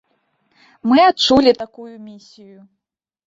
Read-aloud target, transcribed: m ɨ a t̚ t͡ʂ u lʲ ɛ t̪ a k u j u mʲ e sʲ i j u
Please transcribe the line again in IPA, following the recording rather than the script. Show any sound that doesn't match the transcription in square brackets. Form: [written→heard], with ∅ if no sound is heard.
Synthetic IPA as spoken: m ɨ a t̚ t͡ʂ u lʲ [ɛ→i] t̪ a k u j u mʲ [e→i] sʲ i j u